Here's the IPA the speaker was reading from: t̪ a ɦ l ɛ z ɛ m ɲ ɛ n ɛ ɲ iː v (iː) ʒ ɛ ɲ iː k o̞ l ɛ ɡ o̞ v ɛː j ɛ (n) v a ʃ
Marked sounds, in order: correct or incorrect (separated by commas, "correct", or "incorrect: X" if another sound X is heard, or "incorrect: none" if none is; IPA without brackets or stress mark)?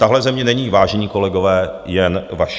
incorrect: aː, correct